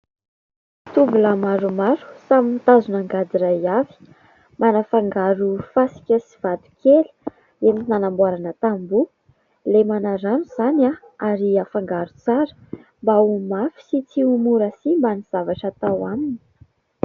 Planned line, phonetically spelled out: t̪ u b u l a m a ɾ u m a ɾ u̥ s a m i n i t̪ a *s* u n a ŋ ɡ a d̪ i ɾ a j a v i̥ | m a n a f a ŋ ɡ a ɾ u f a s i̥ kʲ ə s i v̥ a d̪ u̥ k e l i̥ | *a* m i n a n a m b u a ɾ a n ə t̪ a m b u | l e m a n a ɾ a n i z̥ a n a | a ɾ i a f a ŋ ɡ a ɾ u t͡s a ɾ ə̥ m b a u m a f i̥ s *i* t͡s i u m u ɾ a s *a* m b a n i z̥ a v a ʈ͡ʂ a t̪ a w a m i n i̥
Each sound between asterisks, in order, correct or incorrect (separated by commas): incorrect, incorrect, correct, incorrect